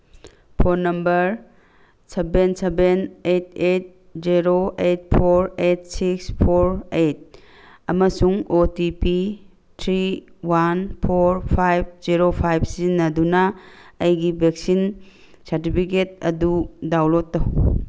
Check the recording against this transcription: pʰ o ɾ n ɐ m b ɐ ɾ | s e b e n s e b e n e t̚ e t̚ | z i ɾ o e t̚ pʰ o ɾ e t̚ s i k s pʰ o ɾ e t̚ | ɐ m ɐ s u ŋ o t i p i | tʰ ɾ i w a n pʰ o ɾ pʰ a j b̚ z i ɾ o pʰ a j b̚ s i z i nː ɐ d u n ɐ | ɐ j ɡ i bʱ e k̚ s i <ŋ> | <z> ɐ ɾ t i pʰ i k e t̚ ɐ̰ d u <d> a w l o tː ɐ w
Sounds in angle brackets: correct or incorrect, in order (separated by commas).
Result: incorrect, incorrect, correct